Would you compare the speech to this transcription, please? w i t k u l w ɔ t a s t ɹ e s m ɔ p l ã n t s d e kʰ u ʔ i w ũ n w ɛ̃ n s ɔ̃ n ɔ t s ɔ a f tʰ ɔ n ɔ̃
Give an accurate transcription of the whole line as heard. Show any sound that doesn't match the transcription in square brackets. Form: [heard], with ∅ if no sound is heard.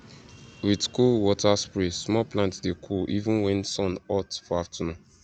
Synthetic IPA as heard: w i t k u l w ɔ t a s [p] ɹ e s m ɔ p l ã n t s d e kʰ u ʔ i [v] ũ n w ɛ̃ n s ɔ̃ n ɔ t [f] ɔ a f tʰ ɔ n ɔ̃